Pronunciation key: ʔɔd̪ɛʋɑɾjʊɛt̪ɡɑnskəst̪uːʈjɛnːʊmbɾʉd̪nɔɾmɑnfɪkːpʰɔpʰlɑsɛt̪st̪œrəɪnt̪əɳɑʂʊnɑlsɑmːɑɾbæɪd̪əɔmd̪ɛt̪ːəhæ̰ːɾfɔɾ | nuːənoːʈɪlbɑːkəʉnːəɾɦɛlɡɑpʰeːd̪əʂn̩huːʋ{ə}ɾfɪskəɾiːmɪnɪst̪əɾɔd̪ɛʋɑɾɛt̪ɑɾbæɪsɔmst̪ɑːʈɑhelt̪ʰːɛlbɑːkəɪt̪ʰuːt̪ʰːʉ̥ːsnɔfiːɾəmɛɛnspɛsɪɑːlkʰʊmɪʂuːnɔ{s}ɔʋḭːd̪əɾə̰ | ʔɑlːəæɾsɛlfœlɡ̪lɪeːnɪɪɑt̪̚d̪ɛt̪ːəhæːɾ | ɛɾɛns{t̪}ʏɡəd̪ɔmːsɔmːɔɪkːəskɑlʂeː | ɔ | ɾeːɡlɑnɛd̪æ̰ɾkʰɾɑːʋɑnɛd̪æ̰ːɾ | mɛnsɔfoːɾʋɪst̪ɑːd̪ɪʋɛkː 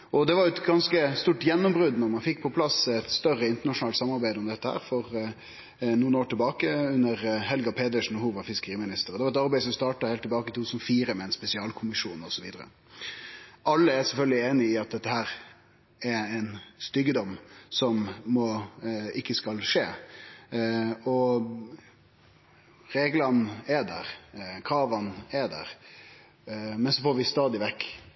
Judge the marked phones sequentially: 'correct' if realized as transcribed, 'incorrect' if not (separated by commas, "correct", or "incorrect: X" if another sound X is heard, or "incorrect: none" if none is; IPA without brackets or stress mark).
incorrect: ɑ, correct, correct